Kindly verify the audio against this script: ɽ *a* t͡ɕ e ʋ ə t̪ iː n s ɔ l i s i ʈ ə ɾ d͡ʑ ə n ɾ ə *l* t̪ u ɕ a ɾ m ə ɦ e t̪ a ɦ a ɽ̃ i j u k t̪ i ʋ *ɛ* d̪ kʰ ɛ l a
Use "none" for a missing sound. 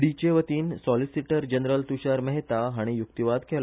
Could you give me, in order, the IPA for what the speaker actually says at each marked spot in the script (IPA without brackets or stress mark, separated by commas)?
i, l, a